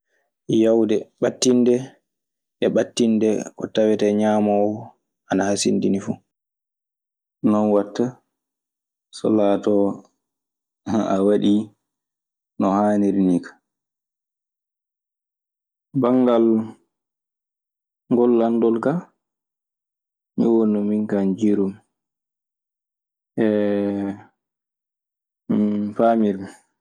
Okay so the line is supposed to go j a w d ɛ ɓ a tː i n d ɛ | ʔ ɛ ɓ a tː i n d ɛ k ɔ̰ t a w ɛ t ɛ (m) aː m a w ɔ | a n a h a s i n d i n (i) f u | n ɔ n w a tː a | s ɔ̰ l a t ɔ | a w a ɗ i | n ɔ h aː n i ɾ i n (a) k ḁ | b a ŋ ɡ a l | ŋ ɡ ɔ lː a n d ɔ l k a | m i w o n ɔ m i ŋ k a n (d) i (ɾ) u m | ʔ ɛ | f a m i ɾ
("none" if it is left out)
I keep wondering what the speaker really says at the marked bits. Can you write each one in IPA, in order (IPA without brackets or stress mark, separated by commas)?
ɲ, i, i, d͡ʒ, ɾ